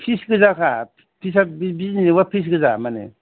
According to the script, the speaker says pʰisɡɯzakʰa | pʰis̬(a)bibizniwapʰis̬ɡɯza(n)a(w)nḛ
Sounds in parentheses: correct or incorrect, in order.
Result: correct, incorrect: m, incorrect: none

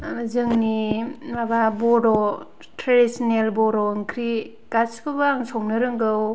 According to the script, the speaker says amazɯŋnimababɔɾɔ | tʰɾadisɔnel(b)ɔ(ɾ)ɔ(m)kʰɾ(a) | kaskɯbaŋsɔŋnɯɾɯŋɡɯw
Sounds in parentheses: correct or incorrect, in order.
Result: correct, correct, incorrect: ŋ, incorrect: i

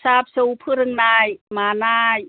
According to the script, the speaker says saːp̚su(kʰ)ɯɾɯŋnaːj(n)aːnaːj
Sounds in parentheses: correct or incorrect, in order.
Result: incorrect: pʰ, incorrect: m

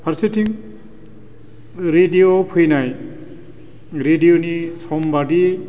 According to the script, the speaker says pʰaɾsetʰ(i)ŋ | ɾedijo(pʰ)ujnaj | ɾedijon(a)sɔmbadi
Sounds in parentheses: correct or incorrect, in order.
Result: correct, correct, incorrect: i

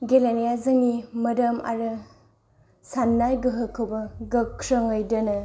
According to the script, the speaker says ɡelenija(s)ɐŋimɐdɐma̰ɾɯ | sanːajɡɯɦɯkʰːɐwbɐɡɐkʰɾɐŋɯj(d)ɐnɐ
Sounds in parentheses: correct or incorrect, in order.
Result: incorrect: z, correct

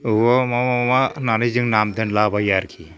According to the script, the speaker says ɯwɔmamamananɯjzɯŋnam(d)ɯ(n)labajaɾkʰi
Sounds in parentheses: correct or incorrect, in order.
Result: correct, correct

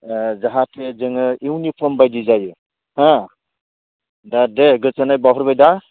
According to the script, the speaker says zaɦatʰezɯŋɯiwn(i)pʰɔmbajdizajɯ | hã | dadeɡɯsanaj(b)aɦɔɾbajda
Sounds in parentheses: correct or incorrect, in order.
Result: correct, correct

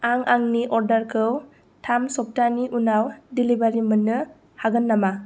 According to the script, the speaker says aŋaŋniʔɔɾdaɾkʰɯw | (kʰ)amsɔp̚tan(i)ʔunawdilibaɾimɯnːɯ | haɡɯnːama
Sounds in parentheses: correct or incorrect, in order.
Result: incorrect: tʰ, correct

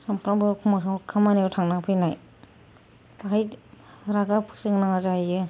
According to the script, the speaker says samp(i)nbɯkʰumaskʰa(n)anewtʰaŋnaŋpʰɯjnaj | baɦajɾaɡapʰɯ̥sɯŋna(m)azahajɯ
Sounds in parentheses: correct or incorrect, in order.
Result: incorrect: a, incorrect: m, incorrect: ŋ

